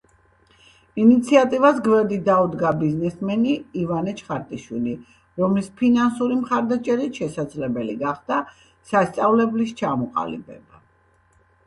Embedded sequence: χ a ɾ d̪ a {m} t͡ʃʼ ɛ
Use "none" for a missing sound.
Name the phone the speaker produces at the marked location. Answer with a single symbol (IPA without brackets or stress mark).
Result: none